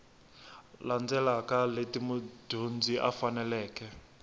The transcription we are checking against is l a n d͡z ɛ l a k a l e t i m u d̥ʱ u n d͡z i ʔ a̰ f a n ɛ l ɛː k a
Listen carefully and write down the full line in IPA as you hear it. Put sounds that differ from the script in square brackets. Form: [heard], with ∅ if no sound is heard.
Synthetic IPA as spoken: l a n d͡z ɛ l a k a l e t i m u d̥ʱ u n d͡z i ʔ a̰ f a n ɛ l ɛː k [ɛ]